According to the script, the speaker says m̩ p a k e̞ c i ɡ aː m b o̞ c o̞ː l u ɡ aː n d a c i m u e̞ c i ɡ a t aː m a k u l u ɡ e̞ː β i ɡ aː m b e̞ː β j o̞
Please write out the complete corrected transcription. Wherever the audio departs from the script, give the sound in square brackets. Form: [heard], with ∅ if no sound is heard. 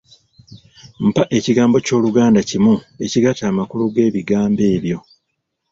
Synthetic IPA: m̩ p a [ʔ] e̞ c i ɡ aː m b o̞ c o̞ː l u ɡ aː n d a c i m u e̞ c i ɡ a t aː m a k u l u ɡ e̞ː β i ɡ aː m b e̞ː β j o̞